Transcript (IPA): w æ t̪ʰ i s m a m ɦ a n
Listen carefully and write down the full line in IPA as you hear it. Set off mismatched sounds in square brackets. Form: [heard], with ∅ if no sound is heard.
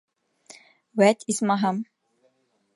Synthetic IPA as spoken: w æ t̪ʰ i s m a [∅] ɦ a [m]